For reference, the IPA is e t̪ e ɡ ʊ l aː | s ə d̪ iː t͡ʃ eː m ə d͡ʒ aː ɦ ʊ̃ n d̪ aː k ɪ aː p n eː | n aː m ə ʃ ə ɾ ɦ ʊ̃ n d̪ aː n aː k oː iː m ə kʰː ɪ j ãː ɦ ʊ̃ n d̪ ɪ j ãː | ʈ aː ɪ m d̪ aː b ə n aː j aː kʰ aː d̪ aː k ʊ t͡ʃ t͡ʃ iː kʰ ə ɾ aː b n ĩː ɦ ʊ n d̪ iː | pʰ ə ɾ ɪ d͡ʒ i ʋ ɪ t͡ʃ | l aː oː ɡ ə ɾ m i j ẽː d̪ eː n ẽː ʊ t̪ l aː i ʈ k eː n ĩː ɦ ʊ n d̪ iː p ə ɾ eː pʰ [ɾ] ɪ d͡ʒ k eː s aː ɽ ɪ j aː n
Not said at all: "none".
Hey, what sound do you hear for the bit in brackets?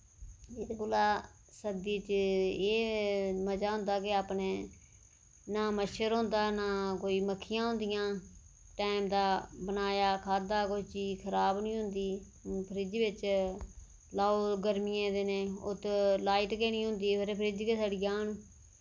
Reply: ɾ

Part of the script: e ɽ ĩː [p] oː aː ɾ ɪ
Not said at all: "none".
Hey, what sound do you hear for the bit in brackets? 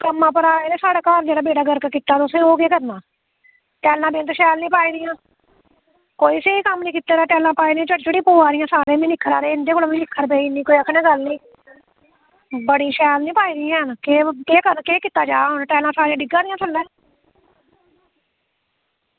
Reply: p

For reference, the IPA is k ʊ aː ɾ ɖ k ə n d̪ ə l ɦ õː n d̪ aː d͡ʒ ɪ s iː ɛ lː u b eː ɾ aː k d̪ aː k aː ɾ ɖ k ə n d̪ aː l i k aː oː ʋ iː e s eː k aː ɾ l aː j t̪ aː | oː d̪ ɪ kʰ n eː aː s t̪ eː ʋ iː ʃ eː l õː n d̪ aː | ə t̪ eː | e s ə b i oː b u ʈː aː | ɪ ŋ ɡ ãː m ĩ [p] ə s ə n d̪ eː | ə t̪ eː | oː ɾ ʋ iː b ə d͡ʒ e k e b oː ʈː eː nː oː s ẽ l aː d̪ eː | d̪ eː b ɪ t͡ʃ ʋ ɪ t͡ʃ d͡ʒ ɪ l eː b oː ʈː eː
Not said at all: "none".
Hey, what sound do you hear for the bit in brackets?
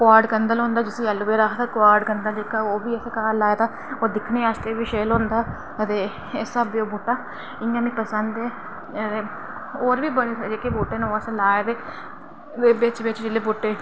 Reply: p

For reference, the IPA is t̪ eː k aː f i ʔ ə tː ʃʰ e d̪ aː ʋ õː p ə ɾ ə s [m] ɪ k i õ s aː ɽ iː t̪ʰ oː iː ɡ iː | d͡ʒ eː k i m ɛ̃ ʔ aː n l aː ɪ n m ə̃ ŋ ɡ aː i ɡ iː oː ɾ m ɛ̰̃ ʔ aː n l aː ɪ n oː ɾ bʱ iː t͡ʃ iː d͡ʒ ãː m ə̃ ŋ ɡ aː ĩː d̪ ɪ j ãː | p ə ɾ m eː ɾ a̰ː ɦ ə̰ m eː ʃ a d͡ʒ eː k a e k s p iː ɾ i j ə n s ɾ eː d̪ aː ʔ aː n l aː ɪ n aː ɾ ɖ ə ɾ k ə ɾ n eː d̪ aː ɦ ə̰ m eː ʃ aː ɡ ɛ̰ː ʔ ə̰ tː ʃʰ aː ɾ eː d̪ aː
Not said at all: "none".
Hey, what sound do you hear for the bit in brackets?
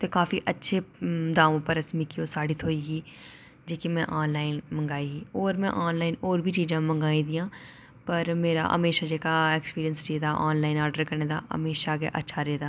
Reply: m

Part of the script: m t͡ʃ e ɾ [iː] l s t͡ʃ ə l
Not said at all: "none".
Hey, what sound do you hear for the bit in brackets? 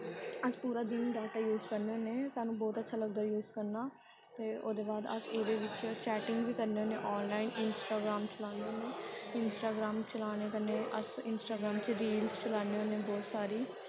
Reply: iː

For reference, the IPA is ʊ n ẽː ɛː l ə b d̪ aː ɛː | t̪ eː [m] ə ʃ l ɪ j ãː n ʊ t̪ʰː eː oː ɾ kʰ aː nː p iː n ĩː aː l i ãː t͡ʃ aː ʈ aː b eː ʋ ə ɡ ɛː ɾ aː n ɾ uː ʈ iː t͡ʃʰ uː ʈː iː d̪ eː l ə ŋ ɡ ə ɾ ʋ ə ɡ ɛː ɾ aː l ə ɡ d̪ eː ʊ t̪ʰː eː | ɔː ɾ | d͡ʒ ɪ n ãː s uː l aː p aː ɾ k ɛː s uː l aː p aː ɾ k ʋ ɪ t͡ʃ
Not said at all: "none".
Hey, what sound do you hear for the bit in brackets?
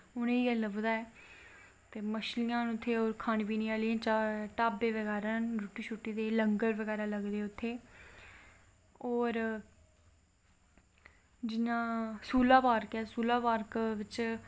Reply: m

